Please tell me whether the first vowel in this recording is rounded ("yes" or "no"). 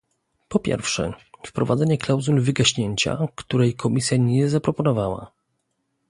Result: yes